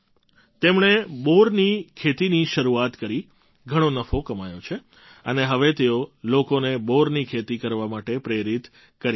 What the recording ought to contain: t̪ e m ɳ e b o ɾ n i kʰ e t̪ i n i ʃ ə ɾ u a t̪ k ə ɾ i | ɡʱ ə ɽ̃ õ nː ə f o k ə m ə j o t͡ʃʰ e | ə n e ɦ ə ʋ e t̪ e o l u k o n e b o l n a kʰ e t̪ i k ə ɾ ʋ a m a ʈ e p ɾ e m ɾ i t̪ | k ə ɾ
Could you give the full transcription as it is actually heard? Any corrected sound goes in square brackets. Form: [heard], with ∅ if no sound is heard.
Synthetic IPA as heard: t̪ e m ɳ e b o ɾ n i kʰ e t̪ i n i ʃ ə ɾ u a t̪ k ə ɾ i | ɡʱ ə ɽ̃ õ [n] ə f o k ə m [a] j o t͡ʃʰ e | ə n e ɦ ə ʋ e t̪ e o l [o] k o n e b o [ɾ] n [i] kʰ e t̪ i k ə ɾ ʋ a m a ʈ e p ɾ e [∅] ɾ i t̪ | k ə ɾ